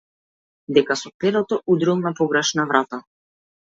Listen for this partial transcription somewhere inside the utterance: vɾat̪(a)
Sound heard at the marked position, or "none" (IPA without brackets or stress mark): a